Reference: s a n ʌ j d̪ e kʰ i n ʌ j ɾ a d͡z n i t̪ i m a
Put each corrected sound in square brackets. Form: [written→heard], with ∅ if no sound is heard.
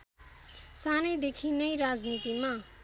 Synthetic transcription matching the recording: s a n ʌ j d̪ e kʰ i n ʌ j ɾ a d͡z n i t̪ i m a